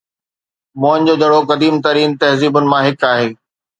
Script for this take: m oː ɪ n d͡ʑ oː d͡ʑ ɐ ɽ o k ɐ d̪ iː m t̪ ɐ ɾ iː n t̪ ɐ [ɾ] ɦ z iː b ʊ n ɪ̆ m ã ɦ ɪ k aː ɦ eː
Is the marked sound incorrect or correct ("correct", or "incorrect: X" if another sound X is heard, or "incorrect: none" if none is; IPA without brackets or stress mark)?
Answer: incorrect: none